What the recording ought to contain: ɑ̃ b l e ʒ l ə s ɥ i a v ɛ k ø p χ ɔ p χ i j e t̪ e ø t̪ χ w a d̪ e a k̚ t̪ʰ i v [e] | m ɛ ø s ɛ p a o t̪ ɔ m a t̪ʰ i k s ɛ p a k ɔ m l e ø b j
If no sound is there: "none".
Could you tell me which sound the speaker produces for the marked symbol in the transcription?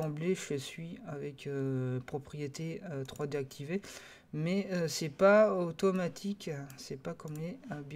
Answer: e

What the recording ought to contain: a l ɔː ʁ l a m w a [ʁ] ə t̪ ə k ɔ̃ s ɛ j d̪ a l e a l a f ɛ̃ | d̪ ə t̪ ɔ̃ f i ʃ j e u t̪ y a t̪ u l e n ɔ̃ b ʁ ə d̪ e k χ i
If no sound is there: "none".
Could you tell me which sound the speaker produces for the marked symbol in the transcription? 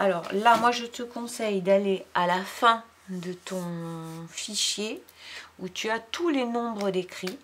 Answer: ʒ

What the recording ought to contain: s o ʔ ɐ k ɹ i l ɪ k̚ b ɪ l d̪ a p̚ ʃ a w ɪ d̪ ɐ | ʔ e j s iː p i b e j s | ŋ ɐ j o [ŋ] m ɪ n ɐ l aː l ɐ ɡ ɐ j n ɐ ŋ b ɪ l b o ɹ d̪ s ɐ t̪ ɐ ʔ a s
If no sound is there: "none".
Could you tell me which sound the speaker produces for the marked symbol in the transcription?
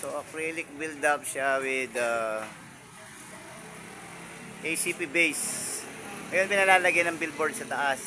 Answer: n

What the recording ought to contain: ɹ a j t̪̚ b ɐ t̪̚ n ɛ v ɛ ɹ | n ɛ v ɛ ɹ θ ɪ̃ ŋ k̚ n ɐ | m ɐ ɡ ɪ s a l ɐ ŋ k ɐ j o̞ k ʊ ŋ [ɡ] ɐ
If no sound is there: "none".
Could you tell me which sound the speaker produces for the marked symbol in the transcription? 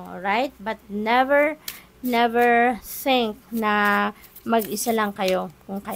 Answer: k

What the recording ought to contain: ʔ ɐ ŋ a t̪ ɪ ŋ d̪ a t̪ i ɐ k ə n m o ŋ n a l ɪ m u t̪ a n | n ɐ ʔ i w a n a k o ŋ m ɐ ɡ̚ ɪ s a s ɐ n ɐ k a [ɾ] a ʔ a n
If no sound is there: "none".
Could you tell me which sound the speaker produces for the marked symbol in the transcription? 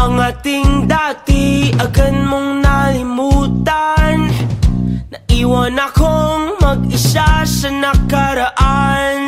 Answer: ɾ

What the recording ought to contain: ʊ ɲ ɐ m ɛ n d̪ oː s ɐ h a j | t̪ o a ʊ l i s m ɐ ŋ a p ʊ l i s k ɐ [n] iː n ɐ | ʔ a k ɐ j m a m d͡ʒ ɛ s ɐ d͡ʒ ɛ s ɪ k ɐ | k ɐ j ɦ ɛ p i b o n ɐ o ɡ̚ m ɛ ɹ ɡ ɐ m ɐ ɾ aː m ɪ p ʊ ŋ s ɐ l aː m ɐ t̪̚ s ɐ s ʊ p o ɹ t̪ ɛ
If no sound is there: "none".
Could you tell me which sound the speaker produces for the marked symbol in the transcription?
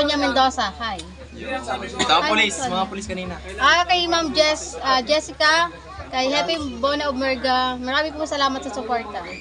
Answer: n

